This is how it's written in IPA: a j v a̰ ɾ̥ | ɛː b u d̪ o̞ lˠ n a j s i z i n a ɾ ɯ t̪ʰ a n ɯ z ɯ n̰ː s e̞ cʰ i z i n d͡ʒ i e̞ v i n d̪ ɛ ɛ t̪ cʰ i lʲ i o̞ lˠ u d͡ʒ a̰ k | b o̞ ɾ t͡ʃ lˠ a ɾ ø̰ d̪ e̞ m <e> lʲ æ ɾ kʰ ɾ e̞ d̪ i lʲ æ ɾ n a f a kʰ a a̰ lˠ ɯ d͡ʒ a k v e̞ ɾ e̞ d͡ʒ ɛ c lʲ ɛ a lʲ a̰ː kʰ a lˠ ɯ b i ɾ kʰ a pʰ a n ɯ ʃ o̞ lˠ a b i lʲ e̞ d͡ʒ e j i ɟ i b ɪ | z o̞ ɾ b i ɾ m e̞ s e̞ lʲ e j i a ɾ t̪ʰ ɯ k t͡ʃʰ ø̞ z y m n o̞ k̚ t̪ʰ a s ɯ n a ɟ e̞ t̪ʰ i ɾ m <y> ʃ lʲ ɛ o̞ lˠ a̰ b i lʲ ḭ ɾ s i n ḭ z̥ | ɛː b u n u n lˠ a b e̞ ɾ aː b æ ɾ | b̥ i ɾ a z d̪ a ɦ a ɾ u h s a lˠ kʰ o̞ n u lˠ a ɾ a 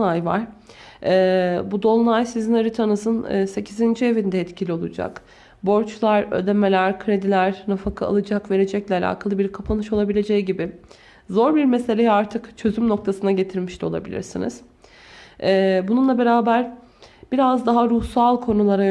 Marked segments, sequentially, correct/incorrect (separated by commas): correct, incorrect